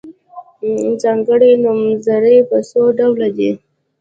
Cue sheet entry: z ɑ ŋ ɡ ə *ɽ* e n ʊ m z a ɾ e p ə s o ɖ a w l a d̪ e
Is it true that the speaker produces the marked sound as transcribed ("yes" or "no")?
yes